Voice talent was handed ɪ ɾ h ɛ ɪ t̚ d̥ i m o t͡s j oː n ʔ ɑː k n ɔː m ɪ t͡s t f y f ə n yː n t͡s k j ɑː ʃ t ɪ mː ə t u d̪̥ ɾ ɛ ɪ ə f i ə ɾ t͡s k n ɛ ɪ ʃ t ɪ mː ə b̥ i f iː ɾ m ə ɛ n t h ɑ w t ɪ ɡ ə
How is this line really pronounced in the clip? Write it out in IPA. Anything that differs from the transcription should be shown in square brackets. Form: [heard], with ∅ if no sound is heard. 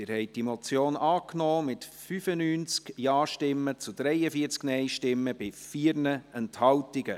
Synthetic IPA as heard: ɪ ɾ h ɛ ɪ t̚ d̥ i m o t͡s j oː n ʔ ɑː k n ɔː m ɪ [∅] t f y f ə n yː n t͡s k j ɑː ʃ t ɪ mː ə [t͡s] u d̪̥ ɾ ɛ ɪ ə f i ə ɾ t͡s k n ɛ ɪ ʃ t ɪ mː ə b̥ [ɪ] f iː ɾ [n] ə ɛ n t h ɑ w t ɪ ɡ ə

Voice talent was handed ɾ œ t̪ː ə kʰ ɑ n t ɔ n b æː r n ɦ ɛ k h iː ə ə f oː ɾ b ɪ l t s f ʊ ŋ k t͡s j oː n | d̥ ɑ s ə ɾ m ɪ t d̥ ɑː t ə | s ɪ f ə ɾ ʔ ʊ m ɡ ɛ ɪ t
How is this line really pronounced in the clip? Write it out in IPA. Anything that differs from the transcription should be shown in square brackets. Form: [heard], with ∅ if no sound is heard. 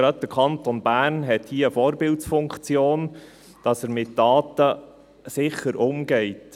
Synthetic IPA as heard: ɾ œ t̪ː ə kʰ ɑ n t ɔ n b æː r n ɦ ɛ [t] h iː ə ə f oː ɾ b ɪ l t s f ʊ ŋ k t͡s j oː n | d̥ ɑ s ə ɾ m ɪ t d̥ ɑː t ə | s ɪ [χ] ə ɾ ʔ ʊ m ɡ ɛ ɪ t

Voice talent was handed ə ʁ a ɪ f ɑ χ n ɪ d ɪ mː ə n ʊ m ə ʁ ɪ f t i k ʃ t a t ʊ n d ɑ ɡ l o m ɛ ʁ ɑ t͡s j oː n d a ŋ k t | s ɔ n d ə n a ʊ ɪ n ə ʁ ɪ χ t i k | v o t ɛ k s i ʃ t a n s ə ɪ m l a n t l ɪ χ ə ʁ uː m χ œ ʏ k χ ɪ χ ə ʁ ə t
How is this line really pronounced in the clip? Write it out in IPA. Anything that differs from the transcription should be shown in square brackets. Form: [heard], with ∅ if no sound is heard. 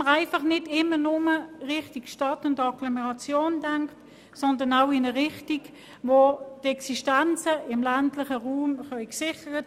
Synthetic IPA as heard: ə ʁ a ɪ f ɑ χ n ɪ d ɪ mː ə n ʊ m ə ʁ ɪ [χ] t i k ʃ t [ɑ] t ʊ n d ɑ ɡ l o m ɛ ʁ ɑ t͡s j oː n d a ŋ k t | s ɔ n d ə n a ʊ ɪ n ə ʁ ɪ χ t i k | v o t ɛ k s i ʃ t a n [t͡s] ə ɪ m l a n t l ɪ χ ə ʁ uː m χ œ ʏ k [s] ɪ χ ə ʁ ə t

